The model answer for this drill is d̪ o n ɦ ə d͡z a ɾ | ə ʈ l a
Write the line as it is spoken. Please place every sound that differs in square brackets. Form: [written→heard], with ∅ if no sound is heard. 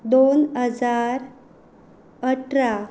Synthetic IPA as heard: d̪ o n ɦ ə d͡z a ɾ | ə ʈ [l→ɾ] a

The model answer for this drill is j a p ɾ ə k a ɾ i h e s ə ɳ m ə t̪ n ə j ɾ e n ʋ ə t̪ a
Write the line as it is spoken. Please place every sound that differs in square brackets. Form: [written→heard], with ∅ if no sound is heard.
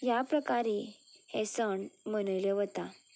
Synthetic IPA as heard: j a p ɾ ə k a ɾ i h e s ə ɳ m ə [t̪→∅] n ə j [ɾ→l] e [n→∅] ʋ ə t̪ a

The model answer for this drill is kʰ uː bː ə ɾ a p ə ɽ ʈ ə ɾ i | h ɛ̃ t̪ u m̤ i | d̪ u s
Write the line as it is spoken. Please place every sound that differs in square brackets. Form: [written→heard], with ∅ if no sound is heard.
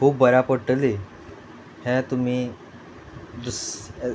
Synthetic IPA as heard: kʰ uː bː ə ɾ a p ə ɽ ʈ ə [ɾ→l] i | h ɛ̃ t̪ u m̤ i | d̪ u s

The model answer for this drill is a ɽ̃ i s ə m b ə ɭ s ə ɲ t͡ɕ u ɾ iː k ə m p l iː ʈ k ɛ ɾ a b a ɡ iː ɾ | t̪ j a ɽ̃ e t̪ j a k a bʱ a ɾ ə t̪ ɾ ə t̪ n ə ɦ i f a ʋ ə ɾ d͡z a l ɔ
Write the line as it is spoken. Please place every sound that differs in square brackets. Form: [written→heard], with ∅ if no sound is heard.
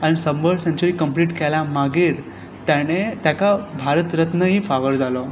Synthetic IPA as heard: a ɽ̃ i s ə m b ə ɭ s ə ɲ t͡ɕ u ɾ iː k ə m p l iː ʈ k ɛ [ɾ→l] a [b→m] a ɡ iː ɾ | t̪ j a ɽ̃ e t̪ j a k a bʱ a ɾ ə t̪ ɾ ə t̪ n ə ɦ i f a ʋ ə ɾ d͡z a l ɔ

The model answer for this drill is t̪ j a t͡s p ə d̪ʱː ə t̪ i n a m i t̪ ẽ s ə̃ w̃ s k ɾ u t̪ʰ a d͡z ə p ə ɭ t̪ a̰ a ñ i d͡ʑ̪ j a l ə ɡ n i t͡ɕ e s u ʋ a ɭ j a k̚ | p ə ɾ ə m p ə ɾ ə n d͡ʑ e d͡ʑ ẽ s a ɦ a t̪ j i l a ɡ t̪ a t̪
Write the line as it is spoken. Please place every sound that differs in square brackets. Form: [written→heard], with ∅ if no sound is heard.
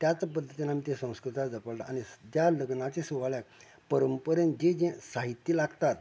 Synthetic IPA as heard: t̪ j a t͡s p ə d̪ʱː ə t̪ i n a m i t̪ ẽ s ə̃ w̃ s k ɾ u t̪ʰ a d͡z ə p ə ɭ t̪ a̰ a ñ i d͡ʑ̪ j a l ə ɡ n [i→a] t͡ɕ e s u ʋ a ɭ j a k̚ | p ə ɾ ə m p ə ɾ ə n d͡ʑ e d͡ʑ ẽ s a ɦ [a→i] t̪ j i l a ɡ t̪ a t̪

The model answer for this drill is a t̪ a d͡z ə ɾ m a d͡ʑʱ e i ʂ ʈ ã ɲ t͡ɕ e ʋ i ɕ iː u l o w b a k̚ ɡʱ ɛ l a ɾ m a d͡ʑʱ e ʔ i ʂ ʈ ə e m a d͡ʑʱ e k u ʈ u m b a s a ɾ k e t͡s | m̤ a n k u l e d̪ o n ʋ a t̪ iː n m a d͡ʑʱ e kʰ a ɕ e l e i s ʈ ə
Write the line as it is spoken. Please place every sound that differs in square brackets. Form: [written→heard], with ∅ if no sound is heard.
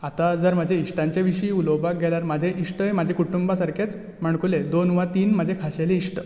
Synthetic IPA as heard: a t̪ a d͡z ə ɾ m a d͡ʑʱ e i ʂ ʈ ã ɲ t͡ɕ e ʋ i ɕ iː u l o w b a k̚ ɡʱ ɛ l a ɾ m a d͡ʑʱ e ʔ i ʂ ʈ ə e m a d͡ʑʱ e k u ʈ u m b a s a ɾ k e t͡s | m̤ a [n→ɳ] k u l e d̪ o n ʋ a t̪ iː n m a d͡ʑʱ e kʰ a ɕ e l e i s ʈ ə

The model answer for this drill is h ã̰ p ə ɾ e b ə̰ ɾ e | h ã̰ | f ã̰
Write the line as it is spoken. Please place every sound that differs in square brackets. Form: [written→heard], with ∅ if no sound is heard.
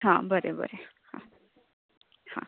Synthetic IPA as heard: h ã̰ [p→b] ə ɾ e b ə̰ ɾ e | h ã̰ | [f→h] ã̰

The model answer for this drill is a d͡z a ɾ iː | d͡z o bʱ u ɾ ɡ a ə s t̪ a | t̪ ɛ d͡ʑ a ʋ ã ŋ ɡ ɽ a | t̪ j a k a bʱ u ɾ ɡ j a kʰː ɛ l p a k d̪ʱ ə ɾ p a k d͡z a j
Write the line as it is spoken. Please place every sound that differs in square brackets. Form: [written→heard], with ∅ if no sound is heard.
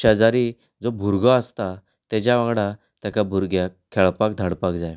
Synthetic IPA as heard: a d͡z a ɾ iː | d͡z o bʱ u ɾ ɡ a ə s t̪ a | t̪ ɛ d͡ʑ a ʋ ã ŋ ɡ ɽ a | t̪ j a k a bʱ u ɾ ɡ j a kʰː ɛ [l→ɭ] p a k d̪ʱ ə [ɾ→ɽ] p a k d͡z a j

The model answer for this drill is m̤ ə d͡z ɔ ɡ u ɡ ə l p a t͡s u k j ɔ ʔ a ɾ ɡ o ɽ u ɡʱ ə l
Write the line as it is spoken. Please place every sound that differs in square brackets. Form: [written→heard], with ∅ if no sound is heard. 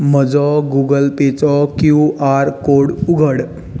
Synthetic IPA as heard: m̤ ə d͡z ɔ ɡ u ɡ ə l p [a→e] t͡s [u→ɔ] k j [ɔ→u] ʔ a ɾ [ɡ→k] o ɽ u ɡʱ ə [l→ɽ]

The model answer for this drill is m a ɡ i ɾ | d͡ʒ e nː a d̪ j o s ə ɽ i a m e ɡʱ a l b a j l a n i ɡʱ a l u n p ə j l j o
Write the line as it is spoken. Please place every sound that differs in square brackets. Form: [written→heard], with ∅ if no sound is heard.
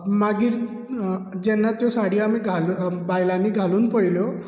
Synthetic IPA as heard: m a ɡ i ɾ | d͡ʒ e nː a [d̪→t̪] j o s [ə→a] ɽ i a m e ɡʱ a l b a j l a n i ɡʱ a l u n p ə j l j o

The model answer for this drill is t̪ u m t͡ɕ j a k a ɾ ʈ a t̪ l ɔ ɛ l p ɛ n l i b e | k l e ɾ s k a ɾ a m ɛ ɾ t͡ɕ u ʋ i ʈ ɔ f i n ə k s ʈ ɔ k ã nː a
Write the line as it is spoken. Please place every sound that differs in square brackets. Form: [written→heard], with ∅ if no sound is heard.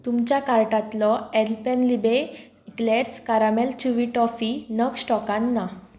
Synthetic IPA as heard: t̪ u m t͡ɕ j a k a ɾ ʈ a t̪ l ɔ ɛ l p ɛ n l i b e | k l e ɾ s k a ɾ a m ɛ [ɾ→l] t͡ɕ u ʋ i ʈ ɔ f i n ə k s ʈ ɔ k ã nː a

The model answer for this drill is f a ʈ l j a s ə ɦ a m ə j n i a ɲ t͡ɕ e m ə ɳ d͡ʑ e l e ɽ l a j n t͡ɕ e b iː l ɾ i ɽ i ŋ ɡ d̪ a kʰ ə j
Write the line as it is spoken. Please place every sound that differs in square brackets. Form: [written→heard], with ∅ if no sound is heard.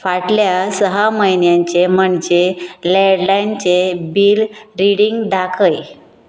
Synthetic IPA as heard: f a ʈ l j a s ə ɦ a m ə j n [i→j] a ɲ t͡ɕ e m ə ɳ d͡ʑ e l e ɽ l a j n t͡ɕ e b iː l ɾ i ɽ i ŋ ɡ d̪ a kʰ ə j

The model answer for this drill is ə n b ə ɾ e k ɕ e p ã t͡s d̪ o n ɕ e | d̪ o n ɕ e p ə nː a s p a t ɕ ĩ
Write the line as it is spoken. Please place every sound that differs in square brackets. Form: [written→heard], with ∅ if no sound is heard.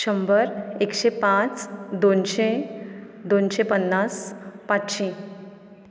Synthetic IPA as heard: ə [n→m] b ə ɾ e k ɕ e p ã t͡s d̪ o n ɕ e | d̪ o n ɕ e p ə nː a s p a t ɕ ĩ

